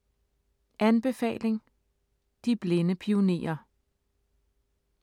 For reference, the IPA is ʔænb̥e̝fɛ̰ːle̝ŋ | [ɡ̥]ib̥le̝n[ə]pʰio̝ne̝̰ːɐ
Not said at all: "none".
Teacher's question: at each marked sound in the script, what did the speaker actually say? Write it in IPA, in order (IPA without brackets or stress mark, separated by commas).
d̥, ə